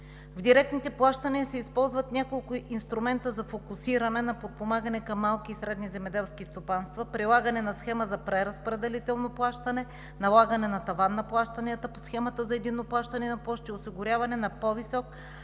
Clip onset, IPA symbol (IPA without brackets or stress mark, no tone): v